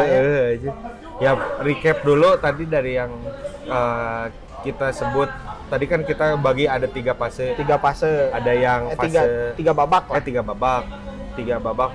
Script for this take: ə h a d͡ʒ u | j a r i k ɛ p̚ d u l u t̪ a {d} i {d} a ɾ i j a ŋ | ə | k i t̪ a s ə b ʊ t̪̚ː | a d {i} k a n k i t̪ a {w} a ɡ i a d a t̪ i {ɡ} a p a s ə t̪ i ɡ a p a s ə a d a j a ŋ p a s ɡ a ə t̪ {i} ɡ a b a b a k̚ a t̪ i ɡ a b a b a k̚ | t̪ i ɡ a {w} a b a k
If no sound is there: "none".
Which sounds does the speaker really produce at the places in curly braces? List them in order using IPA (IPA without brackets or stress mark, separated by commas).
d, d, i, b, ɡ, i, b